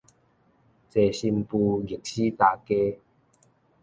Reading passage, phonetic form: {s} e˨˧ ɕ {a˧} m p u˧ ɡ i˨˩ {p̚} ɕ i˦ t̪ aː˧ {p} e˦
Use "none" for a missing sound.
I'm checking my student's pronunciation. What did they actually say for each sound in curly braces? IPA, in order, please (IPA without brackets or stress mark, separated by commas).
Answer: t͡s, i˧, k̚, k